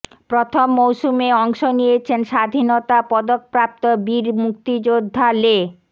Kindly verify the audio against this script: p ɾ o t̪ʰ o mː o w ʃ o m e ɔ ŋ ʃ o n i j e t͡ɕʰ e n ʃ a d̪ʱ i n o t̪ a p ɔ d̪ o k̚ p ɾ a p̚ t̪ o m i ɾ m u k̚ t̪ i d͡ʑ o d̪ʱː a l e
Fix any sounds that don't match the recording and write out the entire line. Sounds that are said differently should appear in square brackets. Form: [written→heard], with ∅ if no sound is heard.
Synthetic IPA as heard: p ɾ o t̪ʰ o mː o w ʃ [o→u] m e ɔ ŋ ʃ o n i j e t͡ɕʰ e n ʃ a d̪ʱ i n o t̪ a p ɔ d̪ o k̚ p ɾ a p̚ t̪ o [m→b] i ɾ m u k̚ t̪ i d͡ʑ o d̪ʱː a l e

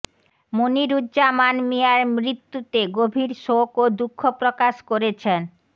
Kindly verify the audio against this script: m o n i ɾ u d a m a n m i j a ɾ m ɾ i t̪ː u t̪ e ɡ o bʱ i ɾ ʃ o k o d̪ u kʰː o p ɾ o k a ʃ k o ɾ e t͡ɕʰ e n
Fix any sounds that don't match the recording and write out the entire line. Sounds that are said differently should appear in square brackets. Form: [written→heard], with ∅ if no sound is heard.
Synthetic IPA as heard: m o n i ɾ u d a m a n m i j a ɾ m ɾ i t̪ː u t̪ e ɡ o bʱ i ɾ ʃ o k o d̪ u kʰː o p ɾ o k a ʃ k o ɾ e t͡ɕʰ e n

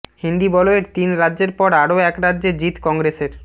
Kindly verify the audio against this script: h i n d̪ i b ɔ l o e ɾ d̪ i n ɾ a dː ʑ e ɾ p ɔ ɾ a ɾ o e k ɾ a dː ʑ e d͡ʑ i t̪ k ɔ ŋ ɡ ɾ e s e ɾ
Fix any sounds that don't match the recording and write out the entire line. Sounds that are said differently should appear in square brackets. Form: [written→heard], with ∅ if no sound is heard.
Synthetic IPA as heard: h i n d̪ i b ɔ l o e ɾ [d̪→t̪] i n ɾ a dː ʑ e ɾ p ɔ ɾ a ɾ o [e→ɛ] k ɾ a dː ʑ e d͡ʑ i t̪ k ɔ ŋ ɡ ɾ e s e ɾ

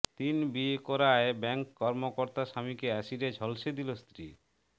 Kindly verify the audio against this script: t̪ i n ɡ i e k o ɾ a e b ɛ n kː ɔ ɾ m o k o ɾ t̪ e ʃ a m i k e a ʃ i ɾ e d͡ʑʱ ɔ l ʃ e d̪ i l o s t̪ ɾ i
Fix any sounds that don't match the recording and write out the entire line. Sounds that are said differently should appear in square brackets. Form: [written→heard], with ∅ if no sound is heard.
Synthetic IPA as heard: t̪ i n [ɡ→b] i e k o ɾ a e b ɛ [n→ŋ] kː ɔ ɾ m o k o ɾ t̪ [e→a] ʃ a m i k e a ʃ i ɾ e d͡ʑʱ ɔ l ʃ e d̪ i l o s t̪ ɾ i

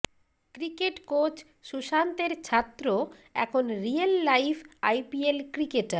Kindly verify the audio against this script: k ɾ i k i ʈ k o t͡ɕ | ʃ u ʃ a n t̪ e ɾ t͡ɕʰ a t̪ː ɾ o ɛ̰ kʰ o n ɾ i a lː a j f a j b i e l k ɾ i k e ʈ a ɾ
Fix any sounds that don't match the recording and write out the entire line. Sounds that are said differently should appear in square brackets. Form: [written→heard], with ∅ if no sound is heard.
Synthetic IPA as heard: k ɾ i k [i→e] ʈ k o t͡ɕ | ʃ u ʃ a n t̪ e ɾ t͡ɕʰ a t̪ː ɾ o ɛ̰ kʰ o n ɾ i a lː a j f a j [b→p] i e l k ɾ i k e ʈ a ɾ

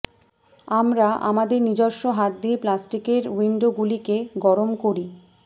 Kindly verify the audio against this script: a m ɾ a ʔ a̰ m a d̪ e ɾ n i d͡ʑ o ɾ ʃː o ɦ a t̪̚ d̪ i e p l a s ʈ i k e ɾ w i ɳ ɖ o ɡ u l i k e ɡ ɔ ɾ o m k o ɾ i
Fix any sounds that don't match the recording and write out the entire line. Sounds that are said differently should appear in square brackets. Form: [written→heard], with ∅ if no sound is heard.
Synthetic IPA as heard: a m ɾ a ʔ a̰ m a d̪ e ɾ n i d͡ʑ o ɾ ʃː o ɦ a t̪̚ d̪ i e p l a s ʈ i k e ɾ w i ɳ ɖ o ɡ u l i k e ɡ ɔ ɾ o m k o ɾ i

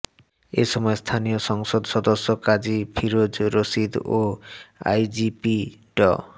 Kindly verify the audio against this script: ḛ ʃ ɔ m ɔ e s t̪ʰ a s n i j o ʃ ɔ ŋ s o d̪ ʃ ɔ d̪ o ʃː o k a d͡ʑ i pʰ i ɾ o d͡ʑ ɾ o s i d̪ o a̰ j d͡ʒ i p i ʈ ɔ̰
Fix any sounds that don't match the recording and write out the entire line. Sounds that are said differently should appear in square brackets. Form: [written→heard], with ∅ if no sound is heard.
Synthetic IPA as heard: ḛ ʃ ɔ m ɔ e s t̪ʰ a [s→∅] n i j o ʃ ɔ ŋ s o d̪ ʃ ɔ d̪ o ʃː o k a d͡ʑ i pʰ i ɾ o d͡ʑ ɾ o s i d̪ o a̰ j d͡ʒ i p i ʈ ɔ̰

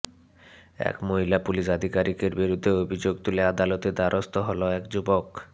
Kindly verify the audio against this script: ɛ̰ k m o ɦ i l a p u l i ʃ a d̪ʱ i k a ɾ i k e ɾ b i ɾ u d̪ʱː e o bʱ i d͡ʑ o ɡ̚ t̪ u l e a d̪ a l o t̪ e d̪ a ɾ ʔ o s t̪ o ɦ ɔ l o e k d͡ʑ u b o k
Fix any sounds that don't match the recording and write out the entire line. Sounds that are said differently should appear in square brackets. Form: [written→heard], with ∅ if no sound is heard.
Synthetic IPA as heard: ɛ̰ k m o ɦ i l a p u l i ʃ a d̪ʱ i k a ɾ i k e ɾ b i ɾ u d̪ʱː e o bʱ i d͡ʑ o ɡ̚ t̪ u l e a d̪ a l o t̪ e d̪ a ɾ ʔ o s t̪ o ɦ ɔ l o [e→ɛ] k d͡ʑ u b o k

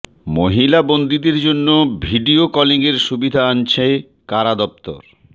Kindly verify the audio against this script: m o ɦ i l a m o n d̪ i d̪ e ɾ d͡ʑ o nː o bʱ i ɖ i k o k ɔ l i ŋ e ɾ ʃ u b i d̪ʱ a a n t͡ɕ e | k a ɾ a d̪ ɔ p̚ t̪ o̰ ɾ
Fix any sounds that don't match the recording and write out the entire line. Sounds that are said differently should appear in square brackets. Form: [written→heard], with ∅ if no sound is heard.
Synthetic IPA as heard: m o ɦ i l a [m→b] o n d̪ i d̪ e ɾ d͡ʑ o nː o bʱ i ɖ i [k→∅] o k ɔ l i ŋ e ɾ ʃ u b i d̪ʱ a a n [t͡ɕ→t͡ɕʰ] e | k a ɾ a d̪ ɔ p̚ t̪ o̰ ɾ

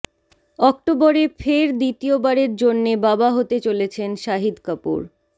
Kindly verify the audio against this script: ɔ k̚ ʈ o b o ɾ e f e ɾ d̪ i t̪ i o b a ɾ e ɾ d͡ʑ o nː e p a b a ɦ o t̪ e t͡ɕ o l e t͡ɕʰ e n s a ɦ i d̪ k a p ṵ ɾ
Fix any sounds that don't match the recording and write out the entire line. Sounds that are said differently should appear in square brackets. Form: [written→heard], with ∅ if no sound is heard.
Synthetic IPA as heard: ɔ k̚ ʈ o b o ɾ e f e ɾ d̪ i t̪ i o b a ɾ e ɾ d͡ʑ o nː e [p→b] a b a ɦ o t̪ e t͡ɕ o l e t͡ɕʰ e n [s→ʃ] a ɦ i d̪ k a p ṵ ɾ

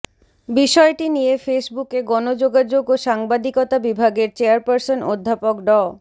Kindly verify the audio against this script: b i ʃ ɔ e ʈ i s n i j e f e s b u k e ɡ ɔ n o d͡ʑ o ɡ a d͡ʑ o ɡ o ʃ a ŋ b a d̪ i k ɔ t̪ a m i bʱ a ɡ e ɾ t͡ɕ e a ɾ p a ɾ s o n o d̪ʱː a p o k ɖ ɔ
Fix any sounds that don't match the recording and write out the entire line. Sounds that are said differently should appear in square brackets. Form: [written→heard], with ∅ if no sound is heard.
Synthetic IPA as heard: b i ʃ ɔ e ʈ i [s→∅] n i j e f e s b u k e ɡ ɔ n o d͡ʑ o ɡ a d͡ʑ o ɡ o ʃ a ŋ b a d̪ i k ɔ t̪ a [m→b] i bʱ a ɡ e ɾ t͡ɕ e a ɾ p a ɾ s o n o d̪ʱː a p o k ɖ ɔ

